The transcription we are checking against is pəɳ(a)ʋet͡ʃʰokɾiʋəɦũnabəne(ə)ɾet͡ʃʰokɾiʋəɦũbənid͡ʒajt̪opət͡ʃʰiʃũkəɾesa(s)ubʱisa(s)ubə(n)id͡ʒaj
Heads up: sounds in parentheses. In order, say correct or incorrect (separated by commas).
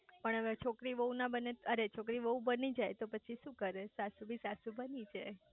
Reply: incorrect, correct, correct, correct, correct